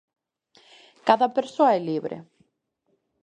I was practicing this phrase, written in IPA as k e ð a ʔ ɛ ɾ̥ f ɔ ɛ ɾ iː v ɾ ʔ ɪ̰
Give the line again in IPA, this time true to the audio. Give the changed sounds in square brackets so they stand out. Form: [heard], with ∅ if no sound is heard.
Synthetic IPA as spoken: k [a] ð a [p] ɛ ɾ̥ [s] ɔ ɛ [l] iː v ɾ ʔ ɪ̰